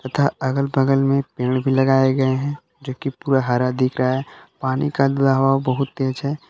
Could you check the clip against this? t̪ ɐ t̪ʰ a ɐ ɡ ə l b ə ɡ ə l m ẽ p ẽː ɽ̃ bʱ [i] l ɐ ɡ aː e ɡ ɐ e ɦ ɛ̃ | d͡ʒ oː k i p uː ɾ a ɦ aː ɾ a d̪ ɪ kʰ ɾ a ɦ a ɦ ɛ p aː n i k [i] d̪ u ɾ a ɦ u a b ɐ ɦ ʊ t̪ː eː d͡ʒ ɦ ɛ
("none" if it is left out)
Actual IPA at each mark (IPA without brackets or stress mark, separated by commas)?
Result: i, a